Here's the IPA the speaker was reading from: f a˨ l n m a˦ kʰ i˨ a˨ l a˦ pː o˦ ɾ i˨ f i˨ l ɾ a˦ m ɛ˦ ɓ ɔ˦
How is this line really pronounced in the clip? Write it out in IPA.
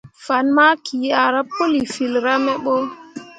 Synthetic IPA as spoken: f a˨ n m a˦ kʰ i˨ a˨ ɾ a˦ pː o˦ l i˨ f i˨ l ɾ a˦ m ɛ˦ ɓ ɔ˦